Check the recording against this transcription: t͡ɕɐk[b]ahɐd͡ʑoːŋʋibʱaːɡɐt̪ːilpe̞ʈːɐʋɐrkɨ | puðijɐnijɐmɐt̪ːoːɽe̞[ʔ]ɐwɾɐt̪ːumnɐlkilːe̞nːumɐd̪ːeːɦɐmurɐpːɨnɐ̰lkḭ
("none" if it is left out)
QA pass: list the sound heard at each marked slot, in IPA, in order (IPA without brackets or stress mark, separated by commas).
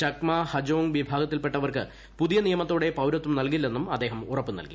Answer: m, p